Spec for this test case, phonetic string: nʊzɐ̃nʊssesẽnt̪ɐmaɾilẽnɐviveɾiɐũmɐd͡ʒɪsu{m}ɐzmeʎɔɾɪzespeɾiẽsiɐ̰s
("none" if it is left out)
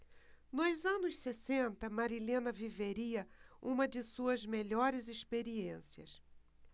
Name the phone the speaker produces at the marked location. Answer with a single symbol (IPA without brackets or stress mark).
none